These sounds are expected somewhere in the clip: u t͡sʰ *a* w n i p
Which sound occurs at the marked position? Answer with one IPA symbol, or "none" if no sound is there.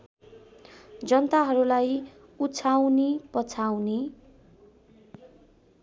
a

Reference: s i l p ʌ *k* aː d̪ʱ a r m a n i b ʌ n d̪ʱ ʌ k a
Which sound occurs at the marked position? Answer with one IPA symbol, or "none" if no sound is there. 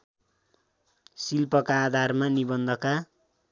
k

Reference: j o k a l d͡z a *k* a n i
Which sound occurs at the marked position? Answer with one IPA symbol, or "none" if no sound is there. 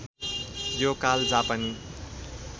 p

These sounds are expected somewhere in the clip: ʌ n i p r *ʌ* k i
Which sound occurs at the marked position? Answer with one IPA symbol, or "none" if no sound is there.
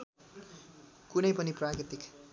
a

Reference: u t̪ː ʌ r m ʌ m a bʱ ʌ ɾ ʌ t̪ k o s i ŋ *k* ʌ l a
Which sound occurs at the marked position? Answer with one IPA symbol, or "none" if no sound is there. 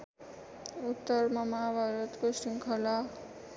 kʰ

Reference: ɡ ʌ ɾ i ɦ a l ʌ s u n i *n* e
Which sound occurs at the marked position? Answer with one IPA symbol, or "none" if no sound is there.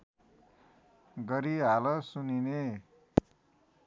n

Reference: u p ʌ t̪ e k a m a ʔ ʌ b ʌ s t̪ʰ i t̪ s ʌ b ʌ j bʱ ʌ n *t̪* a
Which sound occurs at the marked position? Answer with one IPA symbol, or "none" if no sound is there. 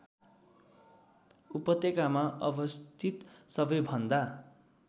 d̪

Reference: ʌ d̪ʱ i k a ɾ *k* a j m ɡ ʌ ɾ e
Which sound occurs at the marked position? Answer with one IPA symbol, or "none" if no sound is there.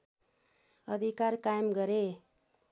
k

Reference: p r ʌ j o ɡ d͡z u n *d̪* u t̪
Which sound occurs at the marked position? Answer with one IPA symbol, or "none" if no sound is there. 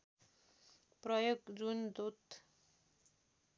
d̪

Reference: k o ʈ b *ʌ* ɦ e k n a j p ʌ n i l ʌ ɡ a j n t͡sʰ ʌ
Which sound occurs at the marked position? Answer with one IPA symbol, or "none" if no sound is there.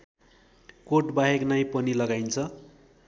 a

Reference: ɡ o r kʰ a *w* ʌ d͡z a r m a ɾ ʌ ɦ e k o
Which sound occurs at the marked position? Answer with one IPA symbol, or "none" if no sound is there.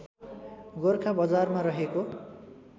b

